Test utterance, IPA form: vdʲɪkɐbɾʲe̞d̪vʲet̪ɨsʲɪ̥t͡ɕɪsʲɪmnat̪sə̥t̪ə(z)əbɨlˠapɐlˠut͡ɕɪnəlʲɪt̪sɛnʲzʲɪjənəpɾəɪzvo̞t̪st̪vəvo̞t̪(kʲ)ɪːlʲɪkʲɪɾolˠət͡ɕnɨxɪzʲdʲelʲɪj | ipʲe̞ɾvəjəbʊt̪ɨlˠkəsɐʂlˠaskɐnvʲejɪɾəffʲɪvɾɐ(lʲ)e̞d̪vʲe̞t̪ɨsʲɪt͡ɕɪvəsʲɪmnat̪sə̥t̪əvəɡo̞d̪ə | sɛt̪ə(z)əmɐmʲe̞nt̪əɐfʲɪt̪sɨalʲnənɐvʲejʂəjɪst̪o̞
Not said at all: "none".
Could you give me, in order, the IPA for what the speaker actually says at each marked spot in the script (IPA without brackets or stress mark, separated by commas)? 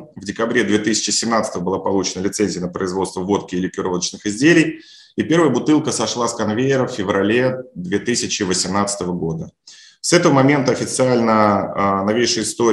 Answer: v, kʲ, lʲ, v